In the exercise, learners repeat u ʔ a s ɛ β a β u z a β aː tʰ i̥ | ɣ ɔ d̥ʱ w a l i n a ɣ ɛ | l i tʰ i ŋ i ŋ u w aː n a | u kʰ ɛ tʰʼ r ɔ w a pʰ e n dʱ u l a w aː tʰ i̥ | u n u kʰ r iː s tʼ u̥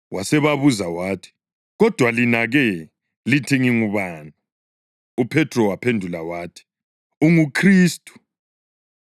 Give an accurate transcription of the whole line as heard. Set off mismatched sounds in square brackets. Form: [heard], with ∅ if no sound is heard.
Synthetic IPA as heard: [w] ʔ a s ɛ β a β u z a [w] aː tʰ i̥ | ɣ ɔ d̥ʱ w a l i n a ɣ ɛ | l i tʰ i ŋ i ŋ u [β] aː n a | u [pʰ] ɛ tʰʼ r ɔ w a pʰ e n dʱ u l a w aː tʰ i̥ | u [ŋ] u kʰ r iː s tʼ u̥